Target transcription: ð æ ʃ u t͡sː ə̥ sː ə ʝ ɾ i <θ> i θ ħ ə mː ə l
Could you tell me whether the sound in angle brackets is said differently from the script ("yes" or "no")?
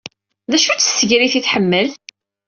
no